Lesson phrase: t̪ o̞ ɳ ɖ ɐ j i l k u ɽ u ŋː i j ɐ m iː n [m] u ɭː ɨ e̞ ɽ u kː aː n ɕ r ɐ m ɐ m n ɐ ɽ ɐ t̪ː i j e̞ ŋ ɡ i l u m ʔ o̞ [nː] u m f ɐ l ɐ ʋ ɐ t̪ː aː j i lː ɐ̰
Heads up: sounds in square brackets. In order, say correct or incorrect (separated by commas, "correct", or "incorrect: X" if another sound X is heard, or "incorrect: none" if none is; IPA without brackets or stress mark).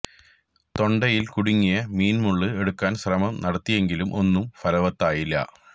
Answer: correct, correct